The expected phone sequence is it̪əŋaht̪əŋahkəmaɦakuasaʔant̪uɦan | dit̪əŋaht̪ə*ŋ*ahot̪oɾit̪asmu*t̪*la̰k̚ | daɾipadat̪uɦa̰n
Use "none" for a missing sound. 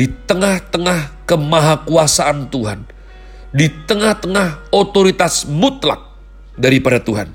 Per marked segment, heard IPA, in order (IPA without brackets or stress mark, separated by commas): ŋ, t̪